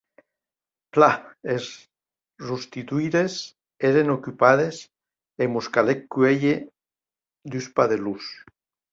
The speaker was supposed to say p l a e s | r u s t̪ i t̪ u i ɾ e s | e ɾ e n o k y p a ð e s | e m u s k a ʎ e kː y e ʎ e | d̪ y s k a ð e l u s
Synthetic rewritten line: p l a e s | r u s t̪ i t̪ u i ɾ e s | e ɾ e n o k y p a ð e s | e m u s k a l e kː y e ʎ e | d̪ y s p a ð e l u s

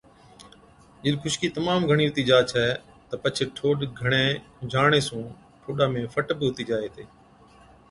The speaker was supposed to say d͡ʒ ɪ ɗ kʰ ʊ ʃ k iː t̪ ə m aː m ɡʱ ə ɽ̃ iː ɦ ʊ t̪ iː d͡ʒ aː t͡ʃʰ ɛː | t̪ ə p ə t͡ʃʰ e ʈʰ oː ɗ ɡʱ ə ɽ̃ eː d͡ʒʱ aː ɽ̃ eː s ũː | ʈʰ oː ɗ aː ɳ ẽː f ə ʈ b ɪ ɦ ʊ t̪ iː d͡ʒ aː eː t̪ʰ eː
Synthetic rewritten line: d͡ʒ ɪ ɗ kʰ ʊ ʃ k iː t̪ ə m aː m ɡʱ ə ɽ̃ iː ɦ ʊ t̪ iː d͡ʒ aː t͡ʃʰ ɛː | t̪ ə p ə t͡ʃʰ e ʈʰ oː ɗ ɡʱ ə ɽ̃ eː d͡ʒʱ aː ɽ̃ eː s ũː | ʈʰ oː ɗ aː m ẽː f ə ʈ b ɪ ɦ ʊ t̪ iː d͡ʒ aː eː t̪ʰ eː

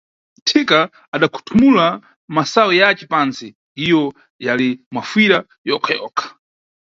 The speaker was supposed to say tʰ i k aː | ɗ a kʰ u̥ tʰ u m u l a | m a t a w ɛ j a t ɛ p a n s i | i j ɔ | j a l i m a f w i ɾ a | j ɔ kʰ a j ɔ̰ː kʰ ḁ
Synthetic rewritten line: tʰ i k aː | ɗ a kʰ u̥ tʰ u m u l a | m a s a w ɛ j a t͡ʃ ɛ p a n s i | i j ɔ | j a l i m a f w i ɾ a | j ɔ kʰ a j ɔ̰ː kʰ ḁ

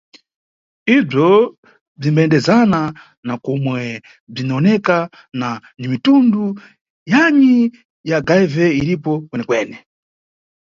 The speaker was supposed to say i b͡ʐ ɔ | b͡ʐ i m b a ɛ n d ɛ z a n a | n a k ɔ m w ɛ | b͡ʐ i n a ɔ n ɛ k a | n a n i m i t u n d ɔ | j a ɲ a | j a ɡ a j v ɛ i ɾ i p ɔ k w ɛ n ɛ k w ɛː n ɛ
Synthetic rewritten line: i b͡ʐ ɔ | b͡ʐ i m b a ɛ n d ɛ z a n a | n a k ɔ m w ɛ | b͡ʐ i n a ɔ n ɛ k a | n a n i m i t u n d u | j a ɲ i | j a ɡ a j v ɛ i ɾ i p ɔ k w ɛ n ɛ k w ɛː n ɛ

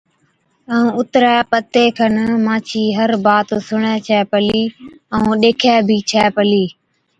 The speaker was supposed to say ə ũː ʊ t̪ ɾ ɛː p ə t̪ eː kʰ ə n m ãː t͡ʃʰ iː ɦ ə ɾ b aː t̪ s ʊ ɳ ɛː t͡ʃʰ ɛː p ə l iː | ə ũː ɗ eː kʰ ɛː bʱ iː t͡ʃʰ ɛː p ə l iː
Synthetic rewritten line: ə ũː ʊ t̪ ɾ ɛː p ə t̪ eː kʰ ə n m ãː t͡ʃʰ iː ɦ ə ɾ b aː t̪ s ʊ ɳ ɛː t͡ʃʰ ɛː p ə l iː | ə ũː ɗ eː kʰ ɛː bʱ iː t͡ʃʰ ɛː p ə l iː

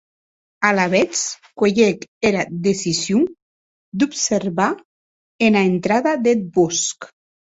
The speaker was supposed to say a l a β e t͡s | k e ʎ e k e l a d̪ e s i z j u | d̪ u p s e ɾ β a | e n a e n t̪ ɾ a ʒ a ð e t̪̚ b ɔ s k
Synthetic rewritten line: a l a β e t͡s | k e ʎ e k e ɾ a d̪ e s i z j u | d̪ u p s e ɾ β a | e n a e n t̪ ɾ a ð a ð e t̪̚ b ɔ s k

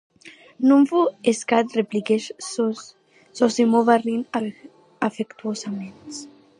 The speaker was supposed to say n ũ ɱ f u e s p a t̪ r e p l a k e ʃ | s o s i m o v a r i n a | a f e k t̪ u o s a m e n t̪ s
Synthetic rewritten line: n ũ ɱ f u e s k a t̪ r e p l i k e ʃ | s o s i m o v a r i n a | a f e k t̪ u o s a m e n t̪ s

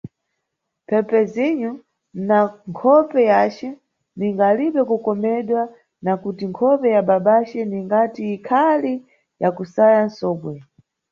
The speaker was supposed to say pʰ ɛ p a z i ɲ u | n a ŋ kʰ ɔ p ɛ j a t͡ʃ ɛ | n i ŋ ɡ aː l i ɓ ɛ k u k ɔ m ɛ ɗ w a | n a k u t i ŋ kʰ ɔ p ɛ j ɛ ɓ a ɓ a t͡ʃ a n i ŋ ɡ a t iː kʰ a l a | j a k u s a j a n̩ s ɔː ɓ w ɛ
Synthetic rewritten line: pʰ ɛ p ɛ z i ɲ u | n a ŋ kʰ ɔ p ɛ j a t͡ʃ ɛ | n i ŋ ɡ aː l i ɓ ɛ k u k ɔ m ɛ ɗ w a | n a k u t i ŋ kʰ ɔ p ɛ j a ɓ a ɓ a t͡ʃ ɛ n i ŋ ɡ a t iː kʰ a l i | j a k u s a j a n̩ s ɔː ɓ w ɛ

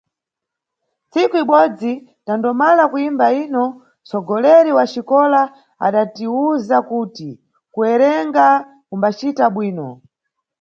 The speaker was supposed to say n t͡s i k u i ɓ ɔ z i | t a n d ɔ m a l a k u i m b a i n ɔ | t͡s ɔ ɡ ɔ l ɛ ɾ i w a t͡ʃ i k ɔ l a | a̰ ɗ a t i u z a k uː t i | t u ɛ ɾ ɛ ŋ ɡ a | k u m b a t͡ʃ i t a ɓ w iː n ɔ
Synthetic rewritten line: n t͡s i k u i ɓ ɔ d͡z i | t a n d ɔ m a l a k u i m b a i n ɔ | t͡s ɔ ɡ ɔ l ɛ ɾ i w a t͡ʃ i k ɔ l a | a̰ ɗ a t i u z a k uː t i | k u ɛ ɾ ɛ ŋ ɡ a | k u m b a t͡ʃ i t a ɓ w iː n ɔ

